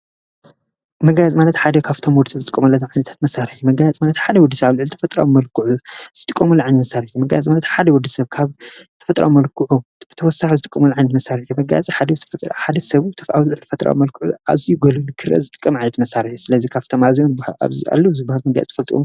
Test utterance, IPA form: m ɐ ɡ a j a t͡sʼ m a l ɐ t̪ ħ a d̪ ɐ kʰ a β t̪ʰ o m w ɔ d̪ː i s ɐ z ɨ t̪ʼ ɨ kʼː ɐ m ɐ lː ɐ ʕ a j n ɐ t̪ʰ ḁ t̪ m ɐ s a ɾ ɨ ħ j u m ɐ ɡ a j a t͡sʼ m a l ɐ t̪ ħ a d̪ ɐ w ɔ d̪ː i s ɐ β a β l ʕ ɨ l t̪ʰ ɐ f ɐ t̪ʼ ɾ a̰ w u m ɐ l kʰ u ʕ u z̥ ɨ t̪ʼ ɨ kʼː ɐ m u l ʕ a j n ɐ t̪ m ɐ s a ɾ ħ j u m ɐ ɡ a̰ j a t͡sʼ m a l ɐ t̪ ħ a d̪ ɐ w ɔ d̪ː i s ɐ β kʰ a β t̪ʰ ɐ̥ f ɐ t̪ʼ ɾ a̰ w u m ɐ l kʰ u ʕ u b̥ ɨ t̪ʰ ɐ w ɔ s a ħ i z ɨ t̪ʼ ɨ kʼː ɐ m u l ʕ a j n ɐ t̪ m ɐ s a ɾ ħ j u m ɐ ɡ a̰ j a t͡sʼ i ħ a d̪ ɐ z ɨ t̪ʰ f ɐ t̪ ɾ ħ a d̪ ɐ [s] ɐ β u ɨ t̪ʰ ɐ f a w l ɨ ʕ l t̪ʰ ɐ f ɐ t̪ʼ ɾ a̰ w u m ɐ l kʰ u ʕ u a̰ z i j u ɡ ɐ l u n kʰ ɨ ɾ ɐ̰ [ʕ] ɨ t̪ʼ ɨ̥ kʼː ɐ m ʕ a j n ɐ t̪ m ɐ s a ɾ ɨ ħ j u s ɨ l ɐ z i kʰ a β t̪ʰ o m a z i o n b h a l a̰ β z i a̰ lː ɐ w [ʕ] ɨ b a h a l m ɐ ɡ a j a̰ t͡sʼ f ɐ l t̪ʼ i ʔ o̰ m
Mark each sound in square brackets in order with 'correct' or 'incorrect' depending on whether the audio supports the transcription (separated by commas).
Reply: correct, incorrect, incorrect